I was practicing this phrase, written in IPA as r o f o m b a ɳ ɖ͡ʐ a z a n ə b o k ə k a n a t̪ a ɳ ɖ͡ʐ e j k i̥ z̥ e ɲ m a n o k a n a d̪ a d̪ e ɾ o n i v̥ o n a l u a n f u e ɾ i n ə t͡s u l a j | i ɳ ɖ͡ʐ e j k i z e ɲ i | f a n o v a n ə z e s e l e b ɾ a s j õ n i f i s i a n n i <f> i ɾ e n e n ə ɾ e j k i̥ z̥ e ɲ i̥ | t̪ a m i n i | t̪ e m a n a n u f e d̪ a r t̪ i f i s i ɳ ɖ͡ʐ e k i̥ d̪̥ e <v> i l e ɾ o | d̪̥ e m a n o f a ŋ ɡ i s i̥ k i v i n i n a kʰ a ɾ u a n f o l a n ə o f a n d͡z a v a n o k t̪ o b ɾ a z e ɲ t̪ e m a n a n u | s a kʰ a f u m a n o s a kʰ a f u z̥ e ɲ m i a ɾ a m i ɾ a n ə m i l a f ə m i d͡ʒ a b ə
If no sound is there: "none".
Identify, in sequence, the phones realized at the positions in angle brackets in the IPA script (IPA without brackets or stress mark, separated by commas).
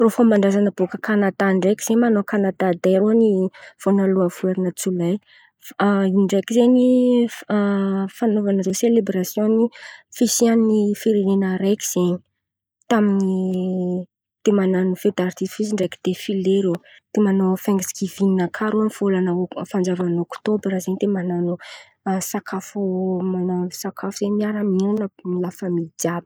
f, f